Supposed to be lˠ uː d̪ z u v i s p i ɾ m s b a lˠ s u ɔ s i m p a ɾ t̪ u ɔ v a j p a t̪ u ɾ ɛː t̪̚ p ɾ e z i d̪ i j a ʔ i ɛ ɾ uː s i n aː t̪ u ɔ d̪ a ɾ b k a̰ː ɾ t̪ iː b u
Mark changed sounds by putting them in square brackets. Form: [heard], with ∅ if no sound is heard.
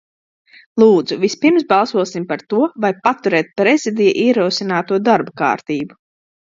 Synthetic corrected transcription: lˠ uː d̪ z u v i s p i ɾ m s b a lˠ s u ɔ s i m p a ɾ t̪ u ɔ v a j p a t̪ u ɾ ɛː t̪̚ p ɾ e z i d̪ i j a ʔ i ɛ ɾ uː s i n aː t̪ u ɔ d̪ a ɾ b k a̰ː ɾ t̪ iː b u